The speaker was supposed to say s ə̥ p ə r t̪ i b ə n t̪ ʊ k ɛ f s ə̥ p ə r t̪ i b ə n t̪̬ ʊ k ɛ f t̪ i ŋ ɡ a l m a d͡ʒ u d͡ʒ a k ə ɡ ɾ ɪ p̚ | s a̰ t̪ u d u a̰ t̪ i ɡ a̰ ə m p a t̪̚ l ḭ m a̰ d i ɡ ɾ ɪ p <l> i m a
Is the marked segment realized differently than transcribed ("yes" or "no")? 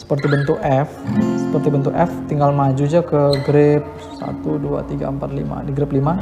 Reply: no